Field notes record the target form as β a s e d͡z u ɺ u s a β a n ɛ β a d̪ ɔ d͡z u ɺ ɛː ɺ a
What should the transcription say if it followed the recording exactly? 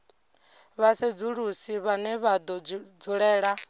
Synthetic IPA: β a s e d͡z u ɺ u s i β a n ɛ β a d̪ ɔ d͡z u ɺ ɛː ɺ a